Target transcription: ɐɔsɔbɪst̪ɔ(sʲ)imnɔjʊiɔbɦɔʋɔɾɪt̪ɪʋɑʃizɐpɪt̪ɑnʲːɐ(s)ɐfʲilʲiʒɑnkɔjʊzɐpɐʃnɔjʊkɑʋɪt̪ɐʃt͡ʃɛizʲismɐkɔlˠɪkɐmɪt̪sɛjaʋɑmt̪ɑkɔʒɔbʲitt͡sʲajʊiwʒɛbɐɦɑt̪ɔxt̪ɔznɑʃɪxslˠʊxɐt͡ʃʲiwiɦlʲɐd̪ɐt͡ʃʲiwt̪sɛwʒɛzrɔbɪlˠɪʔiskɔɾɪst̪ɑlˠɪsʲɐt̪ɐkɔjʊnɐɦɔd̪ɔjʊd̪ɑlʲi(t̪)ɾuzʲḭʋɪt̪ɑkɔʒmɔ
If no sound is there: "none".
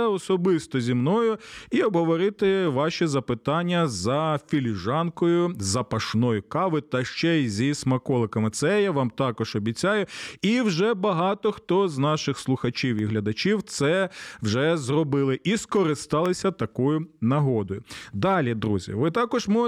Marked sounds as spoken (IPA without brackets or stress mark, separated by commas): zʲ, z, d̪